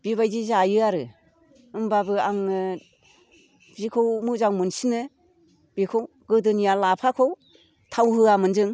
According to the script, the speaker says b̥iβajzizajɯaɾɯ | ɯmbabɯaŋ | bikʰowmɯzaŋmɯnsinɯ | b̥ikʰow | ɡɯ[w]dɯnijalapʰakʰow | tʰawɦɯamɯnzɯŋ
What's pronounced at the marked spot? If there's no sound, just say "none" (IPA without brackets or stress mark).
none